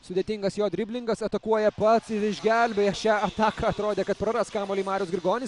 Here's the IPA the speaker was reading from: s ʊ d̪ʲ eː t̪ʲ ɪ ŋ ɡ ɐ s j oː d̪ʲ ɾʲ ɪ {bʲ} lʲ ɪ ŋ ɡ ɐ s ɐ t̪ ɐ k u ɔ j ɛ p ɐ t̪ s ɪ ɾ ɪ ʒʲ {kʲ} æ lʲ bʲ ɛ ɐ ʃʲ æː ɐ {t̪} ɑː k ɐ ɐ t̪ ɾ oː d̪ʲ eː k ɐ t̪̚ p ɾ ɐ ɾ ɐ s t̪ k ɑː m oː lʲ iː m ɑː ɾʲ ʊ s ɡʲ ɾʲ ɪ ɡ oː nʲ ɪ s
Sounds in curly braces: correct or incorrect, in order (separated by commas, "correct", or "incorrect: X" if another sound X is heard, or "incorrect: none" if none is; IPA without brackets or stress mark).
correct, incorrect: ɡʲ, correct